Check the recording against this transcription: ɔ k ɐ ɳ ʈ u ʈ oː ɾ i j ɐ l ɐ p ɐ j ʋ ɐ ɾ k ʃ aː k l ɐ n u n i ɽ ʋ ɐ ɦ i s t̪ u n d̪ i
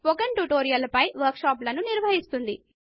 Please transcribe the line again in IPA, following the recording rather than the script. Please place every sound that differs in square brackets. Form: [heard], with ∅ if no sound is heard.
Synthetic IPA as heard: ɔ k ɐ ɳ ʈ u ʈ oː ɾ i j ɐ l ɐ p ɐ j ʋ ɐ ɾ k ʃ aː [p] l ɐ n u n i [ɾ] ʋ ɐ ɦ i s t̪ u n d̪ i